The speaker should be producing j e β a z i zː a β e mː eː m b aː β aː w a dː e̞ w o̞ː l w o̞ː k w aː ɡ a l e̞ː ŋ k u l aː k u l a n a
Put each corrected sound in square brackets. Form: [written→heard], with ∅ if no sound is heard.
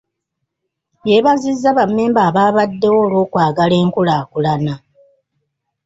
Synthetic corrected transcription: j e β a z i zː a β [e→a] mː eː m b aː β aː [w→β] a dː e̞ w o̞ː l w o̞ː k w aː ɡ a l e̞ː ŋ k u l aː k u l a n a